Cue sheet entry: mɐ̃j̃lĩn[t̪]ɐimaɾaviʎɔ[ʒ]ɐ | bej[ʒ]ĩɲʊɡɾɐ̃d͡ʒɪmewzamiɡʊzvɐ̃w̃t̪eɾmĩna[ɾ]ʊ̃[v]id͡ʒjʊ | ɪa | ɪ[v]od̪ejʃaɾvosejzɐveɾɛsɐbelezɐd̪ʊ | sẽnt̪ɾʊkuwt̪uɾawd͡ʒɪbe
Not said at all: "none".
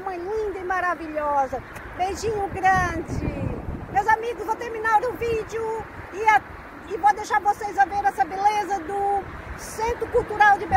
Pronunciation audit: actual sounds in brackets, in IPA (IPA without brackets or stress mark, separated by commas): d̪, z, ʒ, ɾ, v, v